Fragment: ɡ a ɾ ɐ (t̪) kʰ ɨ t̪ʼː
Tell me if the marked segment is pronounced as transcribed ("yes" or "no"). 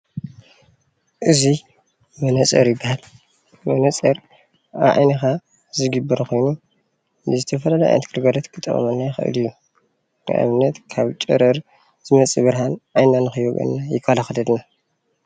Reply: yes